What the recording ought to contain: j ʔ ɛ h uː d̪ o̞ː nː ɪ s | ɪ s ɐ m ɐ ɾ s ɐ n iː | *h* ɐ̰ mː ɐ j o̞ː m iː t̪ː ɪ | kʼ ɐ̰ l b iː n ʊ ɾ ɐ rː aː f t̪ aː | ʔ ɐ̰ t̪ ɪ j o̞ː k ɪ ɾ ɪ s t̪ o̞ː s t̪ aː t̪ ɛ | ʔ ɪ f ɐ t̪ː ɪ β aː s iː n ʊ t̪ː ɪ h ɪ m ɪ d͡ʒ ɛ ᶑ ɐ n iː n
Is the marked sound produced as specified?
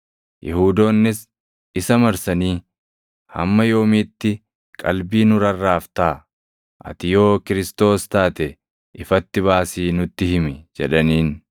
yes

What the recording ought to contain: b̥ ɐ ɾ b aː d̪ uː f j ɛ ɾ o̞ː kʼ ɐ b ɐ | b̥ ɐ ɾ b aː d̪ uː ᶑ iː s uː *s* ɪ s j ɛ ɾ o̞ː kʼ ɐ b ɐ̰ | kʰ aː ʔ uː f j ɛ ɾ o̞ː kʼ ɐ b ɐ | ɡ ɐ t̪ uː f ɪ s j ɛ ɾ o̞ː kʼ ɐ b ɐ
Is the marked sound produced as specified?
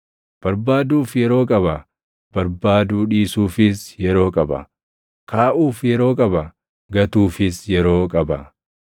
no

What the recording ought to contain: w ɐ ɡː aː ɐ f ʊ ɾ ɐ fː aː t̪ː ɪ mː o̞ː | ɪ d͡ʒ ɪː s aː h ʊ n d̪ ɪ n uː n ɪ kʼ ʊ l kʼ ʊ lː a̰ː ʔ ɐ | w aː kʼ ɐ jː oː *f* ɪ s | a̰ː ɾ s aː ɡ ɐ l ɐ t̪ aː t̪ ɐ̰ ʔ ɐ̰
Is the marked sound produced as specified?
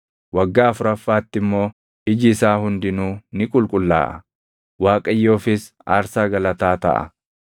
yes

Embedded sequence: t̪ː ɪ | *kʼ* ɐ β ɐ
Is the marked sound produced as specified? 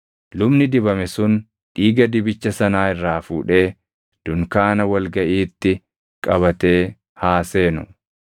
yes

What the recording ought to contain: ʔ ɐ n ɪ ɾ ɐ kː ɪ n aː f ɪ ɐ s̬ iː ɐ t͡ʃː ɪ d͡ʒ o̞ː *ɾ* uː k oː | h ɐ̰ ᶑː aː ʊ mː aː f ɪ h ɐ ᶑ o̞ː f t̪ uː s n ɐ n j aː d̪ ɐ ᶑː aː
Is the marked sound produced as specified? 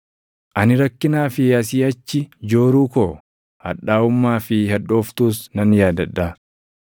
yes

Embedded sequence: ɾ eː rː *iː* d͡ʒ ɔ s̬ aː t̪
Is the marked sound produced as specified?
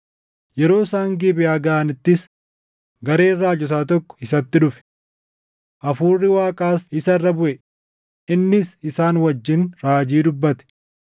no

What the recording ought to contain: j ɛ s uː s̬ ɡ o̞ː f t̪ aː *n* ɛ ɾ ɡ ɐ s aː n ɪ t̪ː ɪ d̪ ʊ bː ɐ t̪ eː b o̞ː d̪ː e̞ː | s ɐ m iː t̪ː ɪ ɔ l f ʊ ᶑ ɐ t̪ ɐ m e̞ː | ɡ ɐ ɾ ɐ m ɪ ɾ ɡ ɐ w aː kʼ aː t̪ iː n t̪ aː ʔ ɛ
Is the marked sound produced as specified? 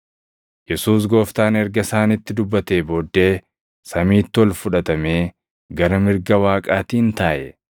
yes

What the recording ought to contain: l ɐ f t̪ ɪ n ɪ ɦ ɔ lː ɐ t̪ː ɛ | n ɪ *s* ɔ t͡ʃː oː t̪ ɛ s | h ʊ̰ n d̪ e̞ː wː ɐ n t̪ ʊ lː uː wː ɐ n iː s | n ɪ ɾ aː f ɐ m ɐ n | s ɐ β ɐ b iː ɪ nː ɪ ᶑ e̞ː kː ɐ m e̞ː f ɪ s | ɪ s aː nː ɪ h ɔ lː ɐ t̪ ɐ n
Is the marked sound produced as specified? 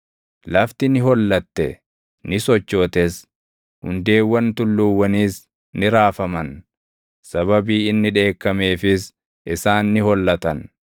yes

